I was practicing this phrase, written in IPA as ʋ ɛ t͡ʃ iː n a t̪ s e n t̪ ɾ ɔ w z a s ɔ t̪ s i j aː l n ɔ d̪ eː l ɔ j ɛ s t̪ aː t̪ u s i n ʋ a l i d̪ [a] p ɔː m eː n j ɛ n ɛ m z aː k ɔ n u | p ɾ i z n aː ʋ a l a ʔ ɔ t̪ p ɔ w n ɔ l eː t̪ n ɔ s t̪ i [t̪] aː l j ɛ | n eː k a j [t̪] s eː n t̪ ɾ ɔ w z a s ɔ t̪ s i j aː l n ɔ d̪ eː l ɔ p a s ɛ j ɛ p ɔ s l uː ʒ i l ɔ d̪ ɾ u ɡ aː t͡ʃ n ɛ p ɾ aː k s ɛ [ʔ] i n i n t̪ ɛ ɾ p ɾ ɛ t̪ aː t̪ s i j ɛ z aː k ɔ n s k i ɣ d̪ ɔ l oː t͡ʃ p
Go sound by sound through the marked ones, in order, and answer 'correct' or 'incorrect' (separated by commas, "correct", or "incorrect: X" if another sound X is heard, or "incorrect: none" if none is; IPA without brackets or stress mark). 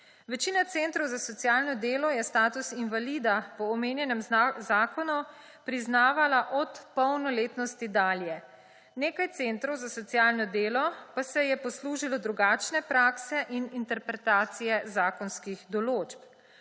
correct, incorrect: d̪, correct, correct